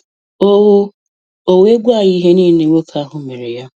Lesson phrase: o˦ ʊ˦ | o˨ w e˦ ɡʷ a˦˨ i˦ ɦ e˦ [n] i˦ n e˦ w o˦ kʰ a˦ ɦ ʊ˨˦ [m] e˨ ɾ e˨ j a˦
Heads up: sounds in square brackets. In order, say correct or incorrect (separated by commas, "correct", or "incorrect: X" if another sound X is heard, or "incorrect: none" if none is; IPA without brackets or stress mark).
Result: correct, correct